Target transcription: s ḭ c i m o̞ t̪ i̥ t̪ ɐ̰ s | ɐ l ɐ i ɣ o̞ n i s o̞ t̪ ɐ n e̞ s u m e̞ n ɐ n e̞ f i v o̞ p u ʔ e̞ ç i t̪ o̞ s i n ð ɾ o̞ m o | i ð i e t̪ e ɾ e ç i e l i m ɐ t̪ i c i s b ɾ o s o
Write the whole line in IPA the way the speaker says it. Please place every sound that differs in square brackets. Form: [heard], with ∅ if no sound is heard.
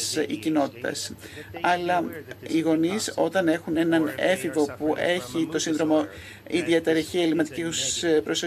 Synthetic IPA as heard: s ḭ c i [n] o̞ t̪ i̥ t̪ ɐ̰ s | ɐ l ɐ i ɣ o̞ n i s o̞ t̪ ɐ n e̞ [x] u [n] e̞ n ɐ n e̞ f i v o̞ p u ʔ e̞ ç i t̪ o̞ s i n ð ɾ o̞ m o | i ð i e t̪ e ɾ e ç i e l i m ɐ t̪ i c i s [p] ɾ o s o